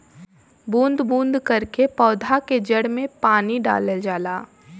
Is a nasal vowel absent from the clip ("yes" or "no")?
no